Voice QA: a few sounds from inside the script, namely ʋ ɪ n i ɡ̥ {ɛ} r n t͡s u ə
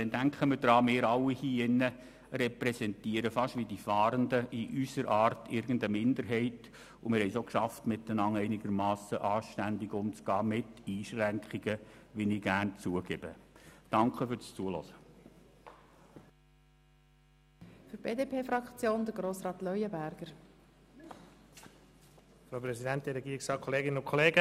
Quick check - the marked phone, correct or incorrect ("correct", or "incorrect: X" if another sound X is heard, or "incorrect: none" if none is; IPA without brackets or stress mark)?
incorrect: æ